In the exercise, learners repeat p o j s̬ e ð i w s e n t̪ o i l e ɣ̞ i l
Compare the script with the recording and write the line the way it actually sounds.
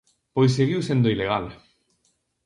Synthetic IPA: p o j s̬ e ɣ i w s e n d̪ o i l e ɣ̞ a l